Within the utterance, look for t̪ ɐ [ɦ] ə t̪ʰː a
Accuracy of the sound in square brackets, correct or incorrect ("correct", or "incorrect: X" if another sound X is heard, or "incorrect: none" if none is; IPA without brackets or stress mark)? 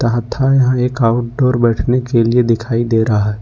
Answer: correct